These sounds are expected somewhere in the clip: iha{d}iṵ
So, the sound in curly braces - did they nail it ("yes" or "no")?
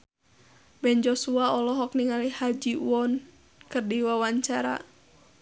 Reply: no